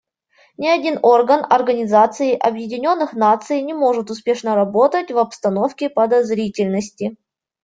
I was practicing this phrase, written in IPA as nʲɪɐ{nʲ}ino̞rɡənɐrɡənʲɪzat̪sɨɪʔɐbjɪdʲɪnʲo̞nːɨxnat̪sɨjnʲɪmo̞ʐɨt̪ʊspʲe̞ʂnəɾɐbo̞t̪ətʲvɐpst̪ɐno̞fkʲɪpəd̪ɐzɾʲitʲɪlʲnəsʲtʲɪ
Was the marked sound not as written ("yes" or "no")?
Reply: yes